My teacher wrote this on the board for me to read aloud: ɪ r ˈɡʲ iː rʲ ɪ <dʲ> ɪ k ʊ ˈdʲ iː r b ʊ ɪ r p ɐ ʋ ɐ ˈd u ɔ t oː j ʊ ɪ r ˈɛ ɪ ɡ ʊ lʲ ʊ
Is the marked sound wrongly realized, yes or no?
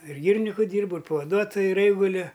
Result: yes